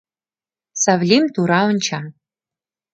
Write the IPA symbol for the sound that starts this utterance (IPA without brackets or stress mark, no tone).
s